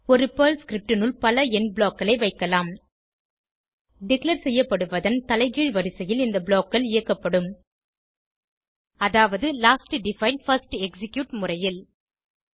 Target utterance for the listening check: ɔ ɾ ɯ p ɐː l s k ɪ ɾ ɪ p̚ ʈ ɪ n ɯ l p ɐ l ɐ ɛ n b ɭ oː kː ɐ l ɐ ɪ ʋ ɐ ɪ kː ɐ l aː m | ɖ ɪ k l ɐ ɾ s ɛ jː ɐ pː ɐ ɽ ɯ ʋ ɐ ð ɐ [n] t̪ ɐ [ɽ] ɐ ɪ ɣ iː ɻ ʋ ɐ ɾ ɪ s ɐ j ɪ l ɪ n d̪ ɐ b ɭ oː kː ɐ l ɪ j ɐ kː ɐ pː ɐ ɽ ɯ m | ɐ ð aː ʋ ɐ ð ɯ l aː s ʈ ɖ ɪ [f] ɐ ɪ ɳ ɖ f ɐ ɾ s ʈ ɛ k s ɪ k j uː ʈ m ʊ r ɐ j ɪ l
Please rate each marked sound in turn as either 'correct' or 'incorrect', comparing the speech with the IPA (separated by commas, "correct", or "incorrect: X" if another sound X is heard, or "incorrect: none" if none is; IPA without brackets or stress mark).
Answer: correct, incorrect: l, correct